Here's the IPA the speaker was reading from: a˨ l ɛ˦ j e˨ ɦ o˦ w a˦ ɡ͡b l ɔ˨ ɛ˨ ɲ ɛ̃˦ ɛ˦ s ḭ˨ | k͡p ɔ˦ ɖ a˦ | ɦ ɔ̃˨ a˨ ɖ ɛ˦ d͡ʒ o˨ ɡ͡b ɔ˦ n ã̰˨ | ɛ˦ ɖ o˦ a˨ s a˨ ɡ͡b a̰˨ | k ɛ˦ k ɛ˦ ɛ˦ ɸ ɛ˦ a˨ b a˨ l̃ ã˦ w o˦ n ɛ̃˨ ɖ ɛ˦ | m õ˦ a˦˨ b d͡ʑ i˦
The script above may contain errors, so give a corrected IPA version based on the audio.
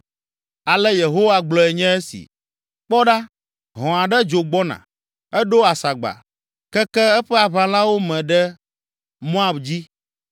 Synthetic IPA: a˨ l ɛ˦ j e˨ ɦ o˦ w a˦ ɡ͡b l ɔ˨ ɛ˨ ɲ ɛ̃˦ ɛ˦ s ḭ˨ | k͡p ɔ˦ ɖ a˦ | ɦ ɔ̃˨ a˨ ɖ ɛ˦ d͡ʒ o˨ ɡ͡b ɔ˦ n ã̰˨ | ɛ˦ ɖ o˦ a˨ s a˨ ɡ͡b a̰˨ | k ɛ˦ k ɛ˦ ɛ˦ ɸ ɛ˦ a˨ β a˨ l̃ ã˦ w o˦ m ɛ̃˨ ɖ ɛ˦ | m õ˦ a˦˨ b d͡ʑ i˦